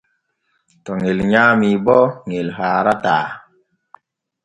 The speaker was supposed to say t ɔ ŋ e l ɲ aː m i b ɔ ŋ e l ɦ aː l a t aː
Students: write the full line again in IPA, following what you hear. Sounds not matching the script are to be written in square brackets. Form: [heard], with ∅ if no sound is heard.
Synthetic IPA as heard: t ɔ ŋ e l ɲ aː m i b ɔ ŋ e l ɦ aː [ɾ] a t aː